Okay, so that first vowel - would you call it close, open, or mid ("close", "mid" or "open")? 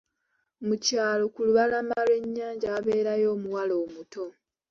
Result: close